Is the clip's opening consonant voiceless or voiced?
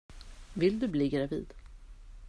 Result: voiced